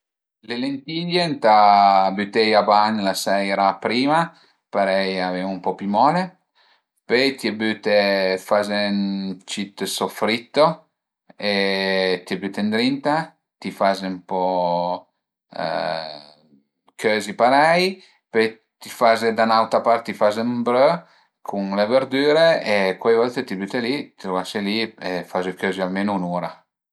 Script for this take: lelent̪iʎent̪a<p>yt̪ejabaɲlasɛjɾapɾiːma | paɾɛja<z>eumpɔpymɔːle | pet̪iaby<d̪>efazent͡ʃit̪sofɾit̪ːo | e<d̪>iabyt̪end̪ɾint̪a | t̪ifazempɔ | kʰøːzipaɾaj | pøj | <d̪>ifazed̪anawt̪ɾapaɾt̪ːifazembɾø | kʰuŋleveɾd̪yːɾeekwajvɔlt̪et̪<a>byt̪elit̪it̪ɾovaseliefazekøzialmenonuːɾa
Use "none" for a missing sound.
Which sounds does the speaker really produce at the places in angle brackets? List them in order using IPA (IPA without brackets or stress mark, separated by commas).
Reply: b, v, t̪, t̪, t̪, i